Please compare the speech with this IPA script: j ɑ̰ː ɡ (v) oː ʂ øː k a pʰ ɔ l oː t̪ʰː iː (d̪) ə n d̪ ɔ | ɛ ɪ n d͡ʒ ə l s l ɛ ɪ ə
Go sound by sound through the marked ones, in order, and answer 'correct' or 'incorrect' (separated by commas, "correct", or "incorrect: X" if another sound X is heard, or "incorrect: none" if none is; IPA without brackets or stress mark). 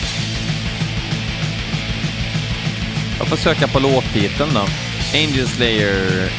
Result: incorrect: f, incorrect: t̪